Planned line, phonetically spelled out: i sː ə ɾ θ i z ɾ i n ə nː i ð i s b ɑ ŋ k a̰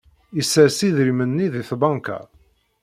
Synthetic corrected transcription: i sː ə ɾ s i ð ɾ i m ə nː i ð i θ b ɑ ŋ k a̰